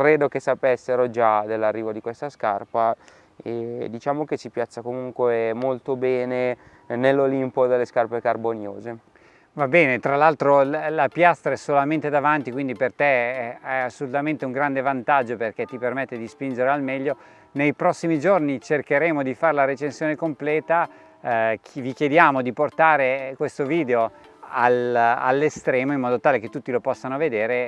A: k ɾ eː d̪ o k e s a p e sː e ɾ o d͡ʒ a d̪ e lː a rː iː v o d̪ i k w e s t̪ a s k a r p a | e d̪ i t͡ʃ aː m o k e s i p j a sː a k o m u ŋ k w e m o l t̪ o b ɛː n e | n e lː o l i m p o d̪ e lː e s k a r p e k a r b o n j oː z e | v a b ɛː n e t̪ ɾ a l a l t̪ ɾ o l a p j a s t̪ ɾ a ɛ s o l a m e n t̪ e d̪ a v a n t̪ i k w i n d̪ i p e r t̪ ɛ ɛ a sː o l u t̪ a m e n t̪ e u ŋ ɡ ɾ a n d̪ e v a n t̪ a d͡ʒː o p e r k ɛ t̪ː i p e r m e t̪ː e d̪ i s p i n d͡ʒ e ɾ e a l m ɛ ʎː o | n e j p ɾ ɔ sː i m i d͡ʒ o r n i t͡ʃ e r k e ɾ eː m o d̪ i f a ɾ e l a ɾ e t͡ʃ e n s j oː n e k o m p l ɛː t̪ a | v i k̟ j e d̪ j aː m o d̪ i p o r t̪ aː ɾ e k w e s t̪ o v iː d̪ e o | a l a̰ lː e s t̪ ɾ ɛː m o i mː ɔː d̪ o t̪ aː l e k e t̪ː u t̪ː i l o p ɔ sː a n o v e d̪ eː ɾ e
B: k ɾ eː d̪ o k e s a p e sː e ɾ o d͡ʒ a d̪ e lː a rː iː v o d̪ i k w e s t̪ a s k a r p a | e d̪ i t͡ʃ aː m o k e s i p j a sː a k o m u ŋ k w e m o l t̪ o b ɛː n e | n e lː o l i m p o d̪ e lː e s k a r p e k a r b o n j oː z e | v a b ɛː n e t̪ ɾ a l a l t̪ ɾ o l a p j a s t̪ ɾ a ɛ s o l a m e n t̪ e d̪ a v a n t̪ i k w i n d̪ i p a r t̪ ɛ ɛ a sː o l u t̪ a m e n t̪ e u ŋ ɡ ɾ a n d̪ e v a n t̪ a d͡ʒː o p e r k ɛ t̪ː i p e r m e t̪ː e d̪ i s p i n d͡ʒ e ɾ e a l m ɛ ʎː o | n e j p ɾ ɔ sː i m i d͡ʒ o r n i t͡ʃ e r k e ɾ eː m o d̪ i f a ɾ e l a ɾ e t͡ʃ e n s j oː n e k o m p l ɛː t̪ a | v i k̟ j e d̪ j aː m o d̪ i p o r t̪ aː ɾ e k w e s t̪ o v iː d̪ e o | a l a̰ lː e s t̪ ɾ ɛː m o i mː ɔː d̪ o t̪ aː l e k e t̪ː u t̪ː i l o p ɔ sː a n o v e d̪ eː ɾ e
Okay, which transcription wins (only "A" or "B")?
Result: A